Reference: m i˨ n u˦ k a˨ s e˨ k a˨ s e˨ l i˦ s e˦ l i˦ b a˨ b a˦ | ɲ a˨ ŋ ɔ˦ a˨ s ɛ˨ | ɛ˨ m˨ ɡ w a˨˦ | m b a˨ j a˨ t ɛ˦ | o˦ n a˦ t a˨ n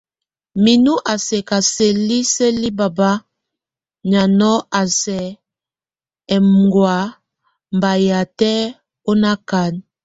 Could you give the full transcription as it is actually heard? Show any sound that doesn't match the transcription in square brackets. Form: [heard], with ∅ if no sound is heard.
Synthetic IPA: m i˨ n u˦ [ʔ] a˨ s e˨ k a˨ s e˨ l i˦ s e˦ l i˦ b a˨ b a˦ | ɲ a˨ [n] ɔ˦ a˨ s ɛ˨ | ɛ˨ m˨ ɡ w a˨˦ | m b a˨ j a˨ t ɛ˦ | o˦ n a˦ [k] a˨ n